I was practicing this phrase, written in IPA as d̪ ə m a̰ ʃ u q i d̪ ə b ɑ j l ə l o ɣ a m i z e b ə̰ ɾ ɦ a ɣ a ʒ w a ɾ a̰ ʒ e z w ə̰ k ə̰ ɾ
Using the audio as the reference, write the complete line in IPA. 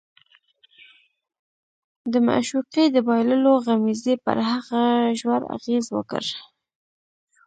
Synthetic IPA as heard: d̪ ə m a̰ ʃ u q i d̪ ə b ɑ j l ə l o ɣ a m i z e p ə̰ ɾ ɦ a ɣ a ʒ w a ɾ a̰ ɣ e z w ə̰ k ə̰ ɾ